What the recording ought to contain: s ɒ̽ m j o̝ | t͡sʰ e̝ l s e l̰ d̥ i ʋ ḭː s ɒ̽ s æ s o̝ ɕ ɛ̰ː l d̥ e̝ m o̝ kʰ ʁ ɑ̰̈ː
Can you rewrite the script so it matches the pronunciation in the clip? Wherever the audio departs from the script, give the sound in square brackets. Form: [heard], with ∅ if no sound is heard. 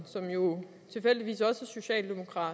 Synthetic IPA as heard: s ɒ̽ m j o̝ | t͡sʰ e̝ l [f] e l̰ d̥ i ʋ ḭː s ɒ̽ s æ s o̝ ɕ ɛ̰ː l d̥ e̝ m o̝ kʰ ʁ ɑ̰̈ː